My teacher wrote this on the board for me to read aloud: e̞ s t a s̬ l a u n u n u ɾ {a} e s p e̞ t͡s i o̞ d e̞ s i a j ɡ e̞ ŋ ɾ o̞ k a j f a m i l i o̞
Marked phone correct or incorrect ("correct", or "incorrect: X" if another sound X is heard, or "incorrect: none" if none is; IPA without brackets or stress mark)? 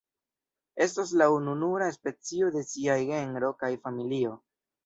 correct